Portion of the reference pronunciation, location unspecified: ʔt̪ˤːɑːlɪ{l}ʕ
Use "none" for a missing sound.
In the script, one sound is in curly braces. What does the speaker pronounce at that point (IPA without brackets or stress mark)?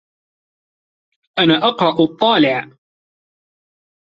none